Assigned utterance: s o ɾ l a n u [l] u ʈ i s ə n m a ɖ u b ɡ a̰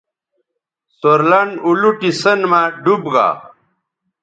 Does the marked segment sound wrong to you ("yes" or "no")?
no